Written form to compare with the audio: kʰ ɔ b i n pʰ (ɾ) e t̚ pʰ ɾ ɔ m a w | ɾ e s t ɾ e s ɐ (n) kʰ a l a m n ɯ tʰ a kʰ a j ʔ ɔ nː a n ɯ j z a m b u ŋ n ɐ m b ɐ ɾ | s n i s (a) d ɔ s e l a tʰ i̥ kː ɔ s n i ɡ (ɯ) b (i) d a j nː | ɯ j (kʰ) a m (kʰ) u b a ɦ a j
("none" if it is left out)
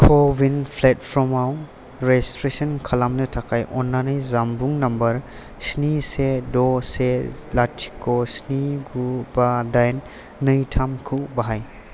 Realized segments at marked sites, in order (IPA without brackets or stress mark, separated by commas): l, n, e, u, a, tʰ, kʰ